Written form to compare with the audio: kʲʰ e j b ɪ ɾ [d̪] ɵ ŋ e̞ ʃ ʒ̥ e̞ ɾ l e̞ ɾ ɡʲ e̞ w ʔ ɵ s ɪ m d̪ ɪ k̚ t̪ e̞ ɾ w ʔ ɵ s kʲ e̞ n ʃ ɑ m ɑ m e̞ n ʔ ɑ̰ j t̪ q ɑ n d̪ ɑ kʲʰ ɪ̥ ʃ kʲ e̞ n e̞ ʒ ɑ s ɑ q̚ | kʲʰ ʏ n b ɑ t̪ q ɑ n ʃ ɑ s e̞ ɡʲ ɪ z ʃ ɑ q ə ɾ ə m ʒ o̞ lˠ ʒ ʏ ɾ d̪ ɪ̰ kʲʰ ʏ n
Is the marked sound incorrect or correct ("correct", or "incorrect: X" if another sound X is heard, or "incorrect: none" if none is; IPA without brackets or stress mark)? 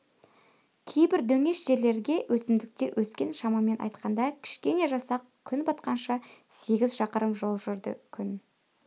correct